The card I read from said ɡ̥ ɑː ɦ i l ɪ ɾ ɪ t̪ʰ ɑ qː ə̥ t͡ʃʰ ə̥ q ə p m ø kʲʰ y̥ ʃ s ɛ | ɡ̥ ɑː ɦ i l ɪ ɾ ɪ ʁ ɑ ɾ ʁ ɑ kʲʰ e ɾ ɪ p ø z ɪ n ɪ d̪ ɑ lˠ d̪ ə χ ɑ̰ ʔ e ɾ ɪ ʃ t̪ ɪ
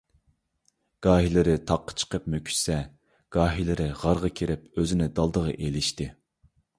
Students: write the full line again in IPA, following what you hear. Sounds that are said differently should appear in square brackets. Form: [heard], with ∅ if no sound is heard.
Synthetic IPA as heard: ɡ̥ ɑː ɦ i l ɪ ɾ ɪ t̪ʰ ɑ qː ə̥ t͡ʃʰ ə̥ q ə p m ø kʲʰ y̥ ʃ s ɛ | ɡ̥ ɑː ɦ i l ɪ ɾ ɪ ʁ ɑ ɾ ʁ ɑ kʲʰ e ɾ ɪ p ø z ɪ n ɪ d̪ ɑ lˠ d̪ ə [ʁ] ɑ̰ ʔ e [l] ɪ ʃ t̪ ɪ